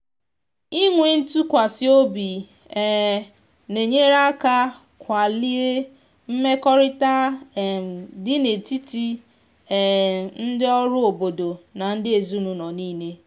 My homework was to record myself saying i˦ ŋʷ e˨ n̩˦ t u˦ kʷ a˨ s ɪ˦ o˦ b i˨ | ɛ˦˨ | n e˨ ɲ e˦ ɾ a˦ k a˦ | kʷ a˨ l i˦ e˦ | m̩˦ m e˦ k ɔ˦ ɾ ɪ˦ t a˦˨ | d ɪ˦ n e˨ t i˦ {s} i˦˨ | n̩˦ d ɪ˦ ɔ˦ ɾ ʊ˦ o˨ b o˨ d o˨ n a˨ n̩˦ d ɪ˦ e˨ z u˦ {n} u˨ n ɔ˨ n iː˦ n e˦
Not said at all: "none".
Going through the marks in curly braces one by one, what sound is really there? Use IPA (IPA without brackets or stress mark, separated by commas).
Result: t, n